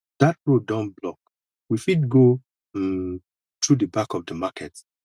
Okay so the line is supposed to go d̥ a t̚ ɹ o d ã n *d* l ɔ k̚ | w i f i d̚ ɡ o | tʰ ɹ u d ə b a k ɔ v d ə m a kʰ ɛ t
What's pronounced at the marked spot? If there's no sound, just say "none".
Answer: b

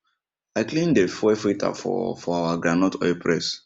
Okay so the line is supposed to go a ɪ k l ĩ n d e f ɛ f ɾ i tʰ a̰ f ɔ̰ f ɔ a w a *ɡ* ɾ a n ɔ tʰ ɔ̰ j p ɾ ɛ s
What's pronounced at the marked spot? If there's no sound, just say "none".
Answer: ɡ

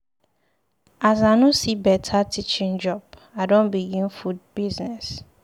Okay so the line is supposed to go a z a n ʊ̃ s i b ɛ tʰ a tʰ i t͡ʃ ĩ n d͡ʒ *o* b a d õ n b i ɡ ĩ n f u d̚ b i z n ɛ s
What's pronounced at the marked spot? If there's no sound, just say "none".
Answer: ɔ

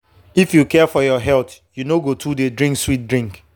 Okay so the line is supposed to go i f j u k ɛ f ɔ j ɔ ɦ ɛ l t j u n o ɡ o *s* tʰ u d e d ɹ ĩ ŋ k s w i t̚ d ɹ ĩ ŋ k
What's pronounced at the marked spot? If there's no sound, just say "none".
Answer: none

